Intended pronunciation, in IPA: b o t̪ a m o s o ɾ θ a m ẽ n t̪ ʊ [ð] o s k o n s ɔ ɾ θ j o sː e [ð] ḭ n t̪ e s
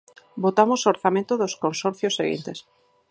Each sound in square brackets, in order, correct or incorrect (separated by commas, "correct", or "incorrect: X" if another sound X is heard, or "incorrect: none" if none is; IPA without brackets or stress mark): correct, incorrect: ɣ